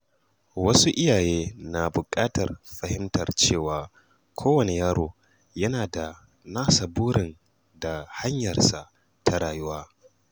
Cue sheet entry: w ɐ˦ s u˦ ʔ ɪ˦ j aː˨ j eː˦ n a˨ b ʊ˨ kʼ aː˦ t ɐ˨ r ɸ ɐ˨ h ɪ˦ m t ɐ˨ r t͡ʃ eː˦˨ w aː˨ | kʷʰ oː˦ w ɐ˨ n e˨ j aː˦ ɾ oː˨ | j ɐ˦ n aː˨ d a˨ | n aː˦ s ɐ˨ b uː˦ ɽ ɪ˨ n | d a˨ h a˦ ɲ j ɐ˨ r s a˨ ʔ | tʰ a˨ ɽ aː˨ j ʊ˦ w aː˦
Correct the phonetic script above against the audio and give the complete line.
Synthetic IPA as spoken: w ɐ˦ s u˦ ʔ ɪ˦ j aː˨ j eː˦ n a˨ b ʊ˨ kʼ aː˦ t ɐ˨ r ɸ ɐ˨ h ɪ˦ m t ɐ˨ r t͡ʃ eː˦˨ w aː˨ | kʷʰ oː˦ w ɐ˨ n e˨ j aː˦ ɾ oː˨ | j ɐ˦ n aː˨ d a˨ | n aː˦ s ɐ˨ b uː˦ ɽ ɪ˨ n | d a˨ h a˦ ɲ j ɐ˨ r s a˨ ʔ | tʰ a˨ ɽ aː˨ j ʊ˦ w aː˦